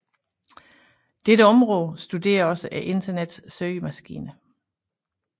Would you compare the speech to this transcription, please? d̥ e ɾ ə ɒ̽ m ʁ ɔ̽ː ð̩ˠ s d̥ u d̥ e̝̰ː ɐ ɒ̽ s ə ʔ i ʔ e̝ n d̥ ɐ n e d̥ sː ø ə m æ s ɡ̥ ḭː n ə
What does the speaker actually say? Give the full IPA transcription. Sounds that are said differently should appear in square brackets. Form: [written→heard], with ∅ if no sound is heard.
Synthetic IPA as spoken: d̥ e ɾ ə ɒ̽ m ʁ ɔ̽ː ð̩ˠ s d̥ u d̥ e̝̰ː ɐ ɒ̽ s ə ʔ [i→æ] ʔ e̝ n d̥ ɐ n e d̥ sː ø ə m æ s ɡ̥ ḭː n ə